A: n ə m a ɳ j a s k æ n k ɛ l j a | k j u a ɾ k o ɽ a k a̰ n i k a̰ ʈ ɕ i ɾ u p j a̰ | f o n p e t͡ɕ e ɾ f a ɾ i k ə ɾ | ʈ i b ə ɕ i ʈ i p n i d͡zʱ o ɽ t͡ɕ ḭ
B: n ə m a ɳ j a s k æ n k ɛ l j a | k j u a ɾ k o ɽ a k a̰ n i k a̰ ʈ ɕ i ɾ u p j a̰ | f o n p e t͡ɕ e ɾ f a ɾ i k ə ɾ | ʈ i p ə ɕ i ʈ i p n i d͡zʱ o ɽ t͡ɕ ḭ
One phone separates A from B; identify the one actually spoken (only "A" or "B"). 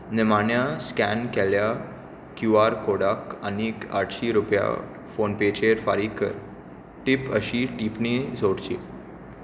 B